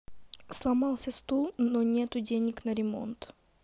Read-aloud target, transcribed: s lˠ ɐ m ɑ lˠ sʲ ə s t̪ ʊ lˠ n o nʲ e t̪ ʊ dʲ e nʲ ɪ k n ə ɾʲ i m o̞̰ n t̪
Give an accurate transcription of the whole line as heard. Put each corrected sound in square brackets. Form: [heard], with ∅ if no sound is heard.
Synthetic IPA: s lˠ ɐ m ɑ lˠ sʲ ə s t̪ [u] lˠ n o nʲ e t̪ ʊ dʲ e nʲ ɪ k n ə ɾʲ [ɪ] m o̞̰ n t̪